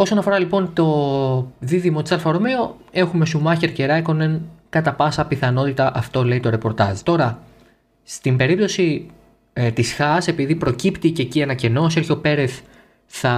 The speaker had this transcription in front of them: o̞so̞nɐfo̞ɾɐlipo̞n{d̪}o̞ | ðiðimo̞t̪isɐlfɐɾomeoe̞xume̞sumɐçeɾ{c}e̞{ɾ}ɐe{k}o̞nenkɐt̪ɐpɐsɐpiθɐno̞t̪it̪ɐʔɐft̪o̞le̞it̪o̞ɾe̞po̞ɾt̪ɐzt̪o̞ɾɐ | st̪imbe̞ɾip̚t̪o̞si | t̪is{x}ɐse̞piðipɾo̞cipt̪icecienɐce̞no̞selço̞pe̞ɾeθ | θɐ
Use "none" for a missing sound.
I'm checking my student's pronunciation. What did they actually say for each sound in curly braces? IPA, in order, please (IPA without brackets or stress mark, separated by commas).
t̪, c, ɾ, k, x